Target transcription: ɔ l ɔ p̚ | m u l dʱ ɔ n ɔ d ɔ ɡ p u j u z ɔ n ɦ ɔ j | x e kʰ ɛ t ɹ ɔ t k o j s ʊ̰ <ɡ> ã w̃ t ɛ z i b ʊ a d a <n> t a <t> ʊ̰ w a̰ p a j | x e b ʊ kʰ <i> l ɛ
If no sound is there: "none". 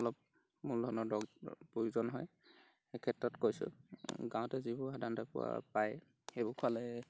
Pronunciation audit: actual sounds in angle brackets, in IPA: ɡ, n, p, a

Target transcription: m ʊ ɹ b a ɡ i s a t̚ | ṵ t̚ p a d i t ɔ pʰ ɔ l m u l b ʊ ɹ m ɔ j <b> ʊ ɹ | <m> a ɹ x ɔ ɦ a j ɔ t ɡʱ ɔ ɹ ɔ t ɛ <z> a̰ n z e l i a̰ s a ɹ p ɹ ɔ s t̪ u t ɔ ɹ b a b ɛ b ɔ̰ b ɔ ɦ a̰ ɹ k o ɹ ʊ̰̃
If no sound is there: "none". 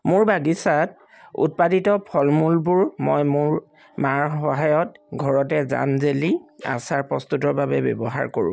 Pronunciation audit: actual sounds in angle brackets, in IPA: m, m, z

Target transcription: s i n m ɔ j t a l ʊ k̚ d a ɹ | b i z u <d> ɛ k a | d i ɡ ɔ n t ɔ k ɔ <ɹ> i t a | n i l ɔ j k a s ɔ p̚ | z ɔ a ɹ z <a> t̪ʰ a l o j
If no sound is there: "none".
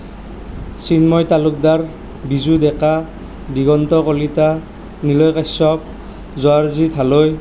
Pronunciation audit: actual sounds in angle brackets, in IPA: d, l, i

